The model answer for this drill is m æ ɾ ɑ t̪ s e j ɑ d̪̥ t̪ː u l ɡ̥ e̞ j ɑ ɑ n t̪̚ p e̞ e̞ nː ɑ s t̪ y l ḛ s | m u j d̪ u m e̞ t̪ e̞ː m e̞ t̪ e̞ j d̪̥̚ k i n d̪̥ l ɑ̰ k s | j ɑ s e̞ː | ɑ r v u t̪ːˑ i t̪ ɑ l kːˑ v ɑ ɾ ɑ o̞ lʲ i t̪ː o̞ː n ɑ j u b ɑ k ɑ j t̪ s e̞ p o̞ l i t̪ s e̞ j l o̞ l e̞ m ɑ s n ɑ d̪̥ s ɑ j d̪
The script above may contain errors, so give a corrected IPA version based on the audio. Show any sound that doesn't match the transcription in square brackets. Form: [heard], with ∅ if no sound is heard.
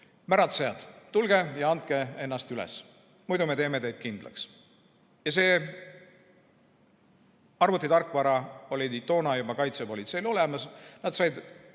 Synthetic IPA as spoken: m æ ɾ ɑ t̪ s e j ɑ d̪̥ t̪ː u l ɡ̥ e̞ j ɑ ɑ n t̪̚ [k] e̞ e̞ nː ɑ s t̪ y l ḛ s | m u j d̪ u m e̞ t̪ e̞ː m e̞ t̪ e̞ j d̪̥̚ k i n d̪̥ l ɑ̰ k s | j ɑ s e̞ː | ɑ r v u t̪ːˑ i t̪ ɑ [r] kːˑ v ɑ ɾ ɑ o̞ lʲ i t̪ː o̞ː n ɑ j u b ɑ k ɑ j t̪ s e̞ p o̞ l i t̪ s e̞ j l o̞ l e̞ m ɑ s n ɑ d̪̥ s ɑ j d̪